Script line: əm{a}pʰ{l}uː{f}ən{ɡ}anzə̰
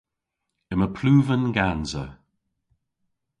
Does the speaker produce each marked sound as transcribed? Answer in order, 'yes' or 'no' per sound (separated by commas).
no, yes, no, yes